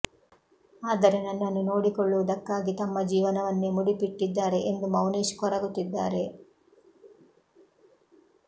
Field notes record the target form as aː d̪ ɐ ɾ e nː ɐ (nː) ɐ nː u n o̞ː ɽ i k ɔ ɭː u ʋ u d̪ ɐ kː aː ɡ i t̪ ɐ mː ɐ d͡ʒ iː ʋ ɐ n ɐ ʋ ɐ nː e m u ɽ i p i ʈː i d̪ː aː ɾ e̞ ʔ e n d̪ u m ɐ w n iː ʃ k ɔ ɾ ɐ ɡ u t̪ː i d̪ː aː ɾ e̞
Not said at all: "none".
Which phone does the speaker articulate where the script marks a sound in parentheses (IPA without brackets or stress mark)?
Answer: nː